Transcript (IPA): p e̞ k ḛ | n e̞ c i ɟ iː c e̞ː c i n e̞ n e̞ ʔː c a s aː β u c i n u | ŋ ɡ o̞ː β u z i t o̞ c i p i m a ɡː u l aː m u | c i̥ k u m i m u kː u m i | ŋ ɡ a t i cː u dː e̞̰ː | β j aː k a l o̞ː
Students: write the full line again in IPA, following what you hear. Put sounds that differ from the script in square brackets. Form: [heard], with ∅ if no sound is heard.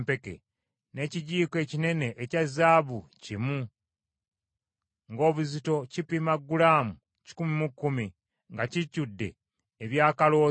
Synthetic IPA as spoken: p e̞ k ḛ | n e̞ c i ɟ iː [k] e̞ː c i n e̞ n e̞ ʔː c a [z] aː β u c i [m] u | ŋ ɡ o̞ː β u z i t o̞ c i p i m a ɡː u l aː m u | c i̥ k u m i m u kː u m i | ŋ ɡ a [c] i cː u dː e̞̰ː | β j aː k a l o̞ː